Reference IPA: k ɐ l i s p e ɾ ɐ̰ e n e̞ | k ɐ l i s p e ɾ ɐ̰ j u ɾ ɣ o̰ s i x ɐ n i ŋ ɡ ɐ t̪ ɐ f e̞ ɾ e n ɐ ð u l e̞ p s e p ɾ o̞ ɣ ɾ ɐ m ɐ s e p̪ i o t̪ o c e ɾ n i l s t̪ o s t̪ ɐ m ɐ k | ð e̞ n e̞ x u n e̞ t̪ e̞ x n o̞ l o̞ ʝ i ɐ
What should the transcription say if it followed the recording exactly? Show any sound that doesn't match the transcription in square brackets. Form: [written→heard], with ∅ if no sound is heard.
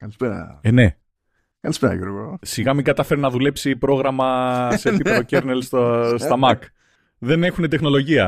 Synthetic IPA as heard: k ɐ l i s p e ɾ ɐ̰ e n e̞ | k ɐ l i s p e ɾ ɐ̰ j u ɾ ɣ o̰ s i [x→ɣ] ɐ [n→m] i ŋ ɡ ɐ t̪ ɐ f e̞ ɾ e n ɐ ð u l e̞ p s [e→i] p ɾ o̞ ɣ ɾ ɐ m ɐ s e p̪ i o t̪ o c e ɾ n [i→e] l s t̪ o s t̪ ɐ m ɐ k | ð e̞ n e̞ x u n e̞ t̪ e̞ x n o̞ l o̞ ʝ i ɐ